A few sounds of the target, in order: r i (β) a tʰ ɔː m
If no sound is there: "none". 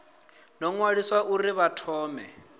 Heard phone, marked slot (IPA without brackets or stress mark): β